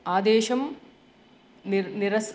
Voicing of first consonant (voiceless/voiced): voiced